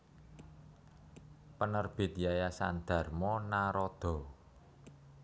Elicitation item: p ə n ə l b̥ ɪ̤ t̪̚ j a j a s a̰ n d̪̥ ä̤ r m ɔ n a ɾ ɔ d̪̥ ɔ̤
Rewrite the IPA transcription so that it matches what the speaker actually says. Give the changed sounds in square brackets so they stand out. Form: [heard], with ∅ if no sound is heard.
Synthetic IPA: p ə n ə [r] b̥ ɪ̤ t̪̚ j a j a s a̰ n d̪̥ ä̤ r m ɔ n a ɾ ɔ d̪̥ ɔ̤